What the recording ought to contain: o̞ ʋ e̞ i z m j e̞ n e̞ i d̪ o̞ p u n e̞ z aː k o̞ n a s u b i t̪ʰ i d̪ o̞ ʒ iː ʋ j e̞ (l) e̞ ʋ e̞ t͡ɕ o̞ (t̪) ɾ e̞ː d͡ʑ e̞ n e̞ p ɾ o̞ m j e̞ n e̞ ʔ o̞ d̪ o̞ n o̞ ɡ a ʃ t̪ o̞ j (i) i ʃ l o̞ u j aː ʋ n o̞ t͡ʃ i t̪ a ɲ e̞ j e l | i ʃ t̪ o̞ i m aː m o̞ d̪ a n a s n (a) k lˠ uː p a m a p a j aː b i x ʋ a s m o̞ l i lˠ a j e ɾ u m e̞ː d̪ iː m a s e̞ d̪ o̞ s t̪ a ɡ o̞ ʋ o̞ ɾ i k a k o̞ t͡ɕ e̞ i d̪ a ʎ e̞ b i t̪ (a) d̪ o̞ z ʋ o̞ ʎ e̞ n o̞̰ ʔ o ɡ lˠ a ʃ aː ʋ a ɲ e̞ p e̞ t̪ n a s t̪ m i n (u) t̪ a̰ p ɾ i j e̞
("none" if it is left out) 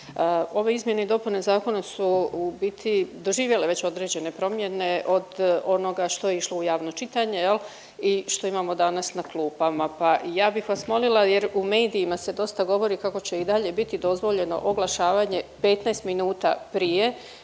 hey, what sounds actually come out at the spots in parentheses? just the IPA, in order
l, d̪, e, a, i, uː

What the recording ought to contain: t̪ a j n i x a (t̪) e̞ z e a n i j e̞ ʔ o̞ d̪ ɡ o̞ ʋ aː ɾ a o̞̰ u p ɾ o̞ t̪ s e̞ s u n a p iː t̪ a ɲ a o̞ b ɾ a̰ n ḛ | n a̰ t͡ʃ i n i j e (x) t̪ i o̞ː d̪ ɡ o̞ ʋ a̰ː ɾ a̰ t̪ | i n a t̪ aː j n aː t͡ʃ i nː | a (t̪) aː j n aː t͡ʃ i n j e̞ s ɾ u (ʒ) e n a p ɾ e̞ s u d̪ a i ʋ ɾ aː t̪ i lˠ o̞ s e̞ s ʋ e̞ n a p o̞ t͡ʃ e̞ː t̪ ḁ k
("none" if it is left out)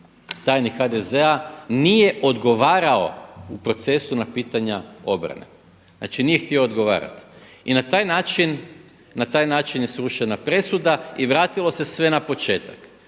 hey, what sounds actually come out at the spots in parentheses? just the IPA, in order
d̪, x, t̪, ʃ

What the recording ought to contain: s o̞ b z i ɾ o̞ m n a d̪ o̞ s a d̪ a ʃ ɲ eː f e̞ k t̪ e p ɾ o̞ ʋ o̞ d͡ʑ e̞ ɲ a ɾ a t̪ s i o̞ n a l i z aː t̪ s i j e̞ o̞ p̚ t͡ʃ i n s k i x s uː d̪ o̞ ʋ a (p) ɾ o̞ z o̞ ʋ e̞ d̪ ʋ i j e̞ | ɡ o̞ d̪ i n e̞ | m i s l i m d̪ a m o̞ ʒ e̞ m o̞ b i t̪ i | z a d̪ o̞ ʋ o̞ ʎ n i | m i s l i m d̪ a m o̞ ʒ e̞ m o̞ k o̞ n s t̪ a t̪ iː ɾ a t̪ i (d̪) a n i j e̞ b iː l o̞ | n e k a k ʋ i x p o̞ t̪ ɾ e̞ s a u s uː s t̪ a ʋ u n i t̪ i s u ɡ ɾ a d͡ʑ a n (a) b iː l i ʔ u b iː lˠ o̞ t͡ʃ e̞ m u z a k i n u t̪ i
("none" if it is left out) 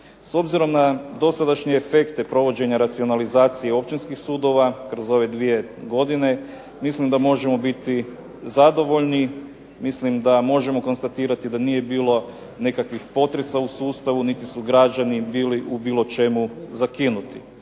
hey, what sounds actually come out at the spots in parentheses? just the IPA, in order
k, d̪, i

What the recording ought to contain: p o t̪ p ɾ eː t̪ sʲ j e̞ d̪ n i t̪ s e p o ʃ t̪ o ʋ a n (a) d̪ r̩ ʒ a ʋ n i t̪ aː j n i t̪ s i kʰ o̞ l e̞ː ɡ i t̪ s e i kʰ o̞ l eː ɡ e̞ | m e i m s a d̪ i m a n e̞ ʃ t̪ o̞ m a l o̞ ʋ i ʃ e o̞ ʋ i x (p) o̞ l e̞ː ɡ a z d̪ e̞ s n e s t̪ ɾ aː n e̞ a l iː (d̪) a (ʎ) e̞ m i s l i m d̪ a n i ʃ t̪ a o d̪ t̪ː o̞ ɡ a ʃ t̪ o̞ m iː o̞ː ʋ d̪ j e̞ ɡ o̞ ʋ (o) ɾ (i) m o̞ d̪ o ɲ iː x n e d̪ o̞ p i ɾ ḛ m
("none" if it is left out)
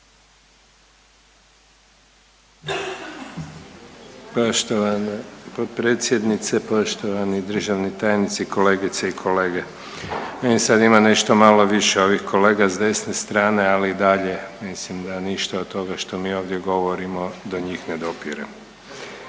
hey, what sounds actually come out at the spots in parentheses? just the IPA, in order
i, k, d̪, ʎ, o, i

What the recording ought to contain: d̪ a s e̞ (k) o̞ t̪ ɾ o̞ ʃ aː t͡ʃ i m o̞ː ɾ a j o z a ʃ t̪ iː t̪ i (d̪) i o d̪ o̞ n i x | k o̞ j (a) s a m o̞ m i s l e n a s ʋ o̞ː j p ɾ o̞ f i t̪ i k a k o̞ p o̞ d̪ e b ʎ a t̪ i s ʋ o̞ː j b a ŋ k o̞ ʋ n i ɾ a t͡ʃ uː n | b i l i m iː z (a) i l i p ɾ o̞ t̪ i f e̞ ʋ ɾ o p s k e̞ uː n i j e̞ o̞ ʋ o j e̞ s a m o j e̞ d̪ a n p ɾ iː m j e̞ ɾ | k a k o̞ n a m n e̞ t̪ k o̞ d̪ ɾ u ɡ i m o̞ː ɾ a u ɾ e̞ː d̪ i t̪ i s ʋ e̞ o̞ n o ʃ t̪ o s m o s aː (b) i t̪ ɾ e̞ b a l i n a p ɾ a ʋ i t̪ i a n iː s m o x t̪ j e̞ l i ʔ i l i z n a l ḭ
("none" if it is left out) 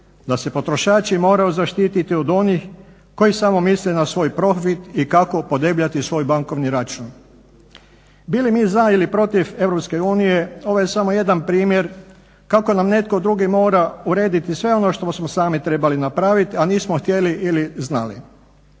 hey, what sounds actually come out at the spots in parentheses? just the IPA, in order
p, t̪, i, a, m

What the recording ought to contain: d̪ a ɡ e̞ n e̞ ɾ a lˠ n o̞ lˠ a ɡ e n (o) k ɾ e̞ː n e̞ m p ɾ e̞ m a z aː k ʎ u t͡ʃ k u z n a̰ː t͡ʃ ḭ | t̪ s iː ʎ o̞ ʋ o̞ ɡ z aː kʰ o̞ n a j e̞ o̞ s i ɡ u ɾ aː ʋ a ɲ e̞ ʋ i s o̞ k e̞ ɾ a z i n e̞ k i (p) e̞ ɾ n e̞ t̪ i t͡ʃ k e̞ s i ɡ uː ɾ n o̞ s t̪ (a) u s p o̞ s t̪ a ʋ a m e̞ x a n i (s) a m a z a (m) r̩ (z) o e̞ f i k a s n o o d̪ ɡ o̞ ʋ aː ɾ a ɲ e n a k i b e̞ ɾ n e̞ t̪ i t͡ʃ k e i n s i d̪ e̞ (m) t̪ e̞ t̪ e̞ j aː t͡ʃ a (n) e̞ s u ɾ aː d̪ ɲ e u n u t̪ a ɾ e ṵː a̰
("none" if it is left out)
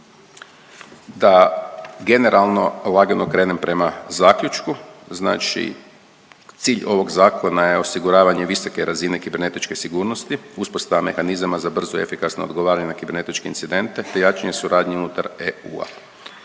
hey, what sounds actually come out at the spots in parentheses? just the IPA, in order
o, b, i, z, b, z, n, ɲ

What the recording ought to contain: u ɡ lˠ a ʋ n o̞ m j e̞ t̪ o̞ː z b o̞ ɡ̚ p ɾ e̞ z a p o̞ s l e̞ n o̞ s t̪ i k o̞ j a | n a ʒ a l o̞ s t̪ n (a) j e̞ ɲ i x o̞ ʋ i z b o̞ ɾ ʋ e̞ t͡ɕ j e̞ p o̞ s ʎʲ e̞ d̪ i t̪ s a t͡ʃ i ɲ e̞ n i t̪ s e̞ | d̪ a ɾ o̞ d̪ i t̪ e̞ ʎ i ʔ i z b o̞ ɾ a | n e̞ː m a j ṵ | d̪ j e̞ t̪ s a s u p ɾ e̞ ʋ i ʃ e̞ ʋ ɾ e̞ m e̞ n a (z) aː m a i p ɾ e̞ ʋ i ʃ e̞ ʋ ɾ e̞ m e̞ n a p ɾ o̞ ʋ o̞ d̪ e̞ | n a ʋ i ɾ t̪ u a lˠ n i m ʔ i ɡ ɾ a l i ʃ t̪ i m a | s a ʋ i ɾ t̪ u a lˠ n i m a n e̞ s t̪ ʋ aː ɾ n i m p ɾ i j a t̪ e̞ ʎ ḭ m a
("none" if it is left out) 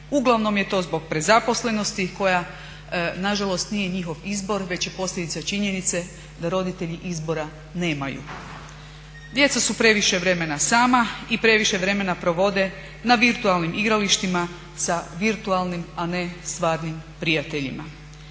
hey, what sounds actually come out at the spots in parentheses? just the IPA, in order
i, s

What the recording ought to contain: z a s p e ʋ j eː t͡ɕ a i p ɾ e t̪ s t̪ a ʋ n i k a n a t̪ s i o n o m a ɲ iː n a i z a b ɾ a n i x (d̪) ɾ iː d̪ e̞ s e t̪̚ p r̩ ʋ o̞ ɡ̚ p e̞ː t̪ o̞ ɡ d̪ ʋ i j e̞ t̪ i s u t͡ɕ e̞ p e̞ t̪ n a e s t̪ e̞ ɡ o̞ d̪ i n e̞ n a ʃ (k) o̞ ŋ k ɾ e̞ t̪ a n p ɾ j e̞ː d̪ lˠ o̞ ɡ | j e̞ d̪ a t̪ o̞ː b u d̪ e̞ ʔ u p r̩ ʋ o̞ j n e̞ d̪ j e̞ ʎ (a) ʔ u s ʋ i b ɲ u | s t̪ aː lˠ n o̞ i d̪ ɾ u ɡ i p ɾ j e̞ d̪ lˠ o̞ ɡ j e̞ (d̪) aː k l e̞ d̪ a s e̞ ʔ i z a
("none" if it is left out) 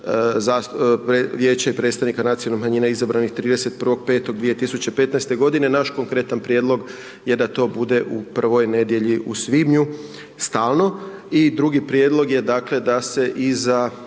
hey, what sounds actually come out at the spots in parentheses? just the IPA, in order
t̪, k, i, d̪

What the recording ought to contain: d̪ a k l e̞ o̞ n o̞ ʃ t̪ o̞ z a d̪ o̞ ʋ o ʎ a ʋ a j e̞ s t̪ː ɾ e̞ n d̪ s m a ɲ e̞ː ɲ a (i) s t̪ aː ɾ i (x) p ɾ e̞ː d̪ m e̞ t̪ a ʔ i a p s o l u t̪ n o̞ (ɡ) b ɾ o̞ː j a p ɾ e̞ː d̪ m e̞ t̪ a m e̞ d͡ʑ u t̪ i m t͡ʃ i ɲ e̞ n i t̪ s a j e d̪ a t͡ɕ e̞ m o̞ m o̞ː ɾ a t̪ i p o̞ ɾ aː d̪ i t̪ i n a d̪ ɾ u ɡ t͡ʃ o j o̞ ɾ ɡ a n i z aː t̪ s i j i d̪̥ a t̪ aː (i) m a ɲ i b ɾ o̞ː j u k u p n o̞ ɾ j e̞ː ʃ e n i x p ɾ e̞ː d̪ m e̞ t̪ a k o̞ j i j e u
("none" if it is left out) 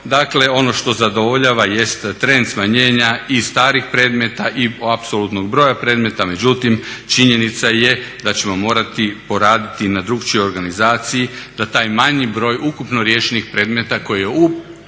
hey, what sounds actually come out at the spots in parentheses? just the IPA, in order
i, x, ɡ, j

